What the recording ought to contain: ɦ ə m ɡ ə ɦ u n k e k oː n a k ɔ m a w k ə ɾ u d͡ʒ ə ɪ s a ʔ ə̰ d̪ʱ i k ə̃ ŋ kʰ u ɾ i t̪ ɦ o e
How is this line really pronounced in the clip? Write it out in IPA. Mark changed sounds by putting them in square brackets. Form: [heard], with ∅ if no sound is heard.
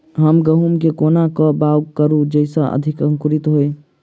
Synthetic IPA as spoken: ɦ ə m ɡ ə ɦ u [m] k e k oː n a k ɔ [b] a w k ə ɾ u d͡ʒ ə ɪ s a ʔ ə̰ d̪ʱ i k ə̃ ŋ [k] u ɾ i t̪ ɦ o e